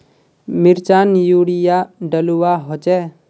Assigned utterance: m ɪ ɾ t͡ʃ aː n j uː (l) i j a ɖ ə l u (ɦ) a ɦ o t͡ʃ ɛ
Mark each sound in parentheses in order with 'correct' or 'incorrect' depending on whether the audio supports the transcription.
incorrect, incorrect

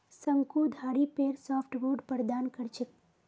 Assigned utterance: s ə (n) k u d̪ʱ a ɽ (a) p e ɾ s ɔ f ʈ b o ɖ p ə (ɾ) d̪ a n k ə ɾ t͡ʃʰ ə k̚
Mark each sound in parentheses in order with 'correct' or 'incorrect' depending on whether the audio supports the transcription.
incorrect, incorrect, correct

